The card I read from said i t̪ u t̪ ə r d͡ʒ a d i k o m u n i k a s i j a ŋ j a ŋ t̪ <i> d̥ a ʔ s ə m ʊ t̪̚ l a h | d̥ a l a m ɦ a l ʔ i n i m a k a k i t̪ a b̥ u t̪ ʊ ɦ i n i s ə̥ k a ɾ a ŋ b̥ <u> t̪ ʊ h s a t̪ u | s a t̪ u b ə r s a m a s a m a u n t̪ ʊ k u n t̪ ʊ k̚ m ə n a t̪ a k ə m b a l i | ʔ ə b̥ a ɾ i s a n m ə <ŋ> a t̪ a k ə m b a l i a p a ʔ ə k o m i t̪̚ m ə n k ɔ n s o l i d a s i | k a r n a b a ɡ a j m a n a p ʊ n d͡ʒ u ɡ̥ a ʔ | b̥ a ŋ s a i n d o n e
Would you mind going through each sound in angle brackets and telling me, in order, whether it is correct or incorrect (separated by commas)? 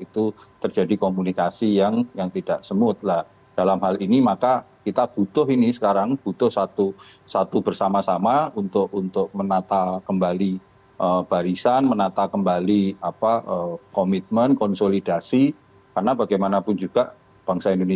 correct, correct, incorrect